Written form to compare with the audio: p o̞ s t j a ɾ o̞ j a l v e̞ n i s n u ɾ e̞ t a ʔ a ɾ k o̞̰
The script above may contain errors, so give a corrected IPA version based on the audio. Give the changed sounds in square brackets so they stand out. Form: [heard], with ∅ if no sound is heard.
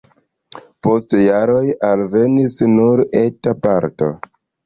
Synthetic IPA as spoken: p o̞ s t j a ɾ o̞ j a l v e̞ n i s n u ɾ e̞ t a [p] a ɾ [t] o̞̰